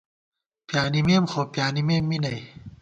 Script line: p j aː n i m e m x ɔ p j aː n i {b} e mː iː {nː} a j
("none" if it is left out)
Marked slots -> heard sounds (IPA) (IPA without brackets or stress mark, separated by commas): m, n